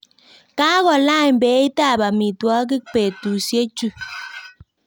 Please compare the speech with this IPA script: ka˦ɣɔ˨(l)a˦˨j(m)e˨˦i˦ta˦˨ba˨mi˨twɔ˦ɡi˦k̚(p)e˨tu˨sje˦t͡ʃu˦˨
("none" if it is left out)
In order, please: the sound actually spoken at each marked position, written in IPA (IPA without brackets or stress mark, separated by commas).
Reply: l, b, p